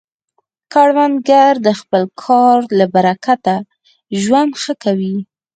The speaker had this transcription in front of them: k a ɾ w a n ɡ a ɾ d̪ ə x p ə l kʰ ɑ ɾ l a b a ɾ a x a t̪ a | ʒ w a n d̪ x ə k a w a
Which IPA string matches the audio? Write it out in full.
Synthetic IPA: k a ɽ w a n ɡ a ɾ d̪ ə x p ə l kʰ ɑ ɾ l a b a ɾ a k a t̪ a | ʒ w a n d̪ x ə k a w i